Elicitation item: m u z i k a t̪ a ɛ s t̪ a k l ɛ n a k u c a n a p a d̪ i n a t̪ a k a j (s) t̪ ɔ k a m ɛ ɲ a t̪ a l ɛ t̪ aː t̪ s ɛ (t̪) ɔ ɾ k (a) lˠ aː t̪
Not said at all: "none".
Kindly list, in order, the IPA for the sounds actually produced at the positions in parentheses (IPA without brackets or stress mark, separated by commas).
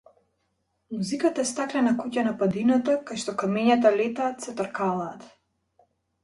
ʃ, t̪, a